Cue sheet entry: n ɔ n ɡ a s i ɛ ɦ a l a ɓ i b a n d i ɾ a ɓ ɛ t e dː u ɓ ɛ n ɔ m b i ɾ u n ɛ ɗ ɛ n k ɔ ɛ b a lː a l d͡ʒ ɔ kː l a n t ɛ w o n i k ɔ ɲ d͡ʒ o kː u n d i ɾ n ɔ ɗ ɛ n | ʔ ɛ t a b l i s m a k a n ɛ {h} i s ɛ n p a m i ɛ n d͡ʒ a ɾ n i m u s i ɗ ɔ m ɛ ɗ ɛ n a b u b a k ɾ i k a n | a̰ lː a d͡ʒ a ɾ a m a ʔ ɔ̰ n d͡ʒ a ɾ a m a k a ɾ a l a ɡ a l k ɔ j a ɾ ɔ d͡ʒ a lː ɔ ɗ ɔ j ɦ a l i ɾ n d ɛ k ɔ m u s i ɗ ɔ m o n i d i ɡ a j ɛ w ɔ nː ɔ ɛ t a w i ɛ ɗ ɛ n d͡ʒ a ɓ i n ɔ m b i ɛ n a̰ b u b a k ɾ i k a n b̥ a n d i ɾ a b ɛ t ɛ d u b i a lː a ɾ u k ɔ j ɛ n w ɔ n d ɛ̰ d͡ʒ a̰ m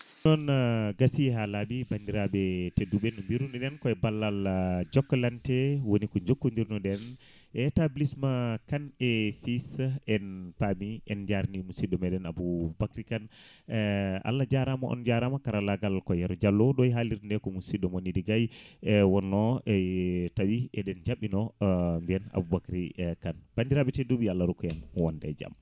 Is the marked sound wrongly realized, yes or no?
yes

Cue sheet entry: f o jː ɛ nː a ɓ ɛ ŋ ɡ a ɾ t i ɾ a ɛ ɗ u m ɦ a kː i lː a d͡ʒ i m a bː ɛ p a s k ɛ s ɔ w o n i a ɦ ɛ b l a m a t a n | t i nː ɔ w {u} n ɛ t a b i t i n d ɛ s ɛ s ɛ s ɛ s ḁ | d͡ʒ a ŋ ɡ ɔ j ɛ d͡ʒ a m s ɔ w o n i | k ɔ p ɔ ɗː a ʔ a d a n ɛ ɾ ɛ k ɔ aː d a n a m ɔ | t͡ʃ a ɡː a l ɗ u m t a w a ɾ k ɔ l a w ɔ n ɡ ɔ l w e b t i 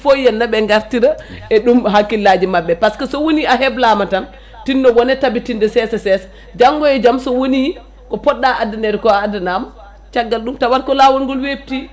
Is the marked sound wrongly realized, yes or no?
yes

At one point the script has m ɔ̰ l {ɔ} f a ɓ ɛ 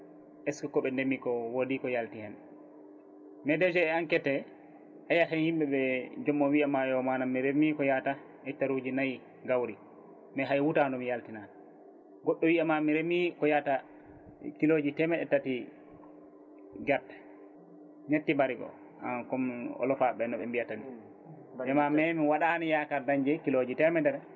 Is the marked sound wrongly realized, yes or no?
no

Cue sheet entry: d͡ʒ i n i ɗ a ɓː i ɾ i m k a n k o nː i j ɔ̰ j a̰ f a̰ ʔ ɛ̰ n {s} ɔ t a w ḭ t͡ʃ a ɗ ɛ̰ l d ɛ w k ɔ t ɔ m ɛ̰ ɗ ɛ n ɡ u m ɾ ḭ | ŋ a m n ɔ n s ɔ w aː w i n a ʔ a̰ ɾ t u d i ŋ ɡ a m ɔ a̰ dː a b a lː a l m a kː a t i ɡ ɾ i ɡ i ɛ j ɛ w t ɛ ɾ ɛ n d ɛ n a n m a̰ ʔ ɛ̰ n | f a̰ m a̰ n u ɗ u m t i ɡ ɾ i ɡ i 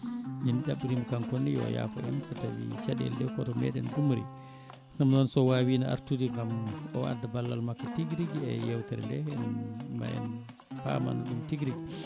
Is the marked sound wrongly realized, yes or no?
no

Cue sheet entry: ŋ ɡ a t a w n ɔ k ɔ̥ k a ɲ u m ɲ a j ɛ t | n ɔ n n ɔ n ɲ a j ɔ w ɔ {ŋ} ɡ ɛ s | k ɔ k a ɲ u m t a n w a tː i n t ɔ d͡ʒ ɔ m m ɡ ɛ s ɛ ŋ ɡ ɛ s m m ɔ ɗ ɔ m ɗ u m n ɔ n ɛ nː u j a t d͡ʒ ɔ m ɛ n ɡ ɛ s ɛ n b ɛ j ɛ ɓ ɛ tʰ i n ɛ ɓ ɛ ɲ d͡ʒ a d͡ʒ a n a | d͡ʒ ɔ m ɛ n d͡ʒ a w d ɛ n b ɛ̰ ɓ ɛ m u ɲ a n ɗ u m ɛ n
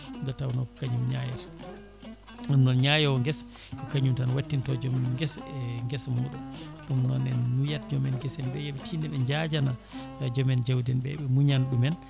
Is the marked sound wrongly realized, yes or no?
no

